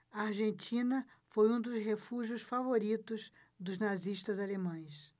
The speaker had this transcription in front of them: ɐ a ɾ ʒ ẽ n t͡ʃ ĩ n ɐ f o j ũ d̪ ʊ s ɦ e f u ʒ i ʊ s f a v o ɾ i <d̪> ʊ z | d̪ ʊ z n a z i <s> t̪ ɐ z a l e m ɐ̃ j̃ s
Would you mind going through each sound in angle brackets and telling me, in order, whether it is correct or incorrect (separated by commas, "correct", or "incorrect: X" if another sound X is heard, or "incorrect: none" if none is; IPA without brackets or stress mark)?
incorrect: t̪, incorrect: ʃ